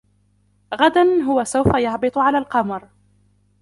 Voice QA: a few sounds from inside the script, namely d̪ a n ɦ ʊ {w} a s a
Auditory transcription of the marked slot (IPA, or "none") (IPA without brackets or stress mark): w